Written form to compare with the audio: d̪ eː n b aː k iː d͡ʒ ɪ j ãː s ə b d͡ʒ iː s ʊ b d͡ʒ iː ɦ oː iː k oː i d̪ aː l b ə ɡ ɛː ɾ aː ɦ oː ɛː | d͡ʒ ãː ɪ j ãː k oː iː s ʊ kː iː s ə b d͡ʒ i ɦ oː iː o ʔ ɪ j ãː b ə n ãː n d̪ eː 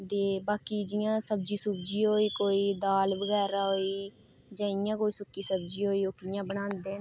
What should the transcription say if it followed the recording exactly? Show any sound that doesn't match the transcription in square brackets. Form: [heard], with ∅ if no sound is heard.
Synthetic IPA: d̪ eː [∅] b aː k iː d͡ʒ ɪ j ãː s ə b d͡ʒ iː s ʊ b d͡ʒ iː ɦ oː iː k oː [iː] d̪ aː l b ə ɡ ɛː ɾ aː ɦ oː [iː] | d͡ʒ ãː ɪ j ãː k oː iː s ʊ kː iː s ə b d͡ʒ [iː] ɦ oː iː o [k] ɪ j ãː b ə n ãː n d̪ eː